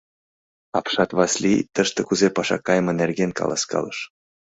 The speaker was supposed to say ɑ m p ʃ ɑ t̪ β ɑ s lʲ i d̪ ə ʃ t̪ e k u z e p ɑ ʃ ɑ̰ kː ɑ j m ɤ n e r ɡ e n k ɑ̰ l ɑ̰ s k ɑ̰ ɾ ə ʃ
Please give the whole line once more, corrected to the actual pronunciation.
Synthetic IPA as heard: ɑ p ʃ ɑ t̪ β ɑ s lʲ i t̪ ə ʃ t̪ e k u z e p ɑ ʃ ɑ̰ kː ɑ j m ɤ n e r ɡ e n k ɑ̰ l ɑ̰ s k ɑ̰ l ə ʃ

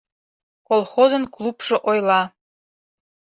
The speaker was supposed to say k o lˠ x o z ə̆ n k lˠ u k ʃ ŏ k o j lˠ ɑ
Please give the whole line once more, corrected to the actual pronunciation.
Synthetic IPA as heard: k o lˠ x o z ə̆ n k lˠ u p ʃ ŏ ʔ o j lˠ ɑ

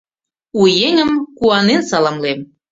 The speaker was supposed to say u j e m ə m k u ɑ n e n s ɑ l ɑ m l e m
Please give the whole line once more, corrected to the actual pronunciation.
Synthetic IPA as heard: u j e ŋ ə m k u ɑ n e n s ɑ l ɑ m l e m

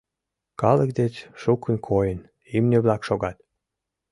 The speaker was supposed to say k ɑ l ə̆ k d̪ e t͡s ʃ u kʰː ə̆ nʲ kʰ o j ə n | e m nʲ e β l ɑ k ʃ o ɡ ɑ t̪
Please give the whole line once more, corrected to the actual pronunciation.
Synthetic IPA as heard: k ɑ l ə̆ k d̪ e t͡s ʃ u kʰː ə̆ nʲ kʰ o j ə n | i m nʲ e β l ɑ k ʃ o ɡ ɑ t̪

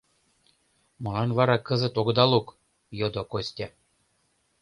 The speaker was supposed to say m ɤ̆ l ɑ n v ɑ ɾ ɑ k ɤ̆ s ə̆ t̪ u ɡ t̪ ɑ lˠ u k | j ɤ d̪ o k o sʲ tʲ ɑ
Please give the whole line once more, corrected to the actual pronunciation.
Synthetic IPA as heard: m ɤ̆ l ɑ n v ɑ ɾ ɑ k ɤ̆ z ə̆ t̪ o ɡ d̪ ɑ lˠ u k | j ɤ d̪ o k o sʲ tʲ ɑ

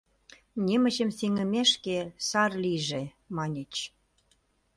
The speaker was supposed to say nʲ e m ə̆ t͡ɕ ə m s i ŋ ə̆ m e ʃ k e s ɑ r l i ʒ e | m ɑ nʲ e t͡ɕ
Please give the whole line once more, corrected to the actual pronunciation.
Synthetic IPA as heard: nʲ e m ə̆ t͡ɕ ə m s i ŋ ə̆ m e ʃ k e s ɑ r l i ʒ e | m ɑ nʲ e t͡ɕ

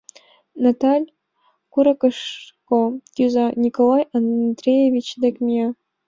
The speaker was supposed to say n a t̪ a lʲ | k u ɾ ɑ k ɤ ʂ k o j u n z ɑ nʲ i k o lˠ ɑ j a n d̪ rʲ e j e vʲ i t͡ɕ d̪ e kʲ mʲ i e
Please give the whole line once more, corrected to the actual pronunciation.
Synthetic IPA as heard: n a t̪ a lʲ | k u ɾ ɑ k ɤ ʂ k o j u z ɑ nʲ i k o lˠ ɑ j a n d̪ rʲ e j e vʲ i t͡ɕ d̪ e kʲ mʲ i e

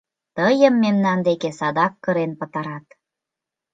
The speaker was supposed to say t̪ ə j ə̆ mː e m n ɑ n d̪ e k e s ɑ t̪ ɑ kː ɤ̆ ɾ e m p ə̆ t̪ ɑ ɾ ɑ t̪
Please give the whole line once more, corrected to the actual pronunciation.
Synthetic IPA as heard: t̪ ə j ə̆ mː e m n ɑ n d̪ e k e s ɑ d̪ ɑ kː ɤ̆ ɾ e n p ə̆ t̪ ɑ ɾ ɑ t̪

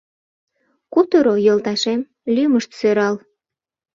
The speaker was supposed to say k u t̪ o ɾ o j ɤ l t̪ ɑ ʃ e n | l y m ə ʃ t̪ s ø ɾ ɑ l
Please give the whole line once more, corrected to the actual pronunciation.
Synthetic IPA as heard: k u t̪ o ɾ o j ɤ l t̪ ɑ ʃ e m | l y m ə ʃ t̪ s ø ɾ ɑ l

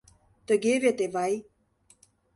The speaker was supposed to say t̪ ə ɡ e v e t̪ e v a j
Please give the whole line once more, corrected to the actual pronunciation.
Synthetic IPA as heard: t̪ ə ɡ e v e t̪ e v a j

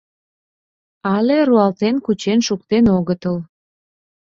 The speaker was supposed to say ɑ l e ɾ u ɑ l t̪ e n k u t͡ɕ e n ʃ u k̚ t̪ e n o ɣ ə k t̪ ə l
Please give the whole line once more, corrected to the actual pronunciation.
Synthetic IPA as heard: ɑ l e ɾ u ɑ l t̪ e n k u t͡ɕ e n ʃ u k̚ t̪ e n o ɣ ə t̪ ə l

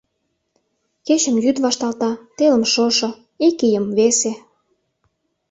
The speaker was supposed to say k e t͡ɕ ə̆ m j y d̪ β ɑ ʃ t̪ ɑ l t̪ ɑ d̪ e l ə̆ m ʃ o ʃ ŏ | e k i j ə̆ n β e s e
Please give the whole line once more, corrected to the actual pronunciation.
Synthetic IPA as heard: k e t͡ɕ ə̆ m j y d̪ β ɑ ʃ t̪ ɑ l t̪ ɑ t̪ e l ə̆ m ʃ o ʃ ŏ | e k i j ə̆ m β e s e

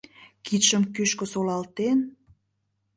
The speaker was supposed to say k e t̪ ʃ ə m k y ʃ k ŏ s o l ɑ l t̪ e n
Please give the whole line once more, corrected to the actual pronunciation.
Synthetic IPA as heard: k i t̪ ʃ ə m k y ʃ k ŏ s o l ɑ l t̪ e n

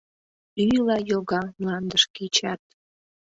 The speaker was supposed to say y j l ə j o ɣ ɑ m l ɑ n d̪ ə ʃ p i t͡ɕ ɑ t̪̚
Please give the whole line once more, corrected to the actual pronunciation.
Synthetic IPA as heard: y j l ɑ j o ɣ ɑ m l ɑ n d̪ ə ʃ k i t͡ɕ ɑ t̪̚

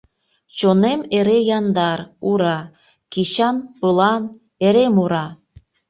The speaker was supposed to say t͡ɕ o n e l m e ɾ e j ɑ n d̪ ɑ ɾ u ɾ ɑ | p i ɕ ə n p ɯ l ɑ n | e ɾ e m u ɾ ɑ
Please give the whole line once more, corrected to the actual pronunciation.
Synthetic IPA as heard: t͡ɕ o n e m e ɾ e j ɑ n d̪ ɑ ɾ u ɾ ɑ | k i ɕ ɑ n p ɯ l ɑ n | e ɾ e m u ɾ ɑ

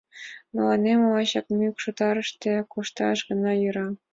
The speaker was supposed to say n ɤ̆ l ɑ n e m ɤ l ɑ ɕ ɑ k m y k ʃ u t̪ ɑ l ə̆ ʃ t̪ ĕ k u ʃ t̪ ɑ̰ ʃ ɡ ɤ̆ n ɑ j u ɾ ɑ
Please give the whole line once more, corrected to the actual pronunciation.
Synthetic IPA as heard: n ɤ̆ l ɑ n e m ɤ l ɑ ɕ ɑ k m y k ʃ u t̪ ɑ ɾ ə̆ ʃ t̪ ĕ k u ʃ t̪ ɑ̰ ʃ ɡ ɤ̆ n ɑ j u ɾ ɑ

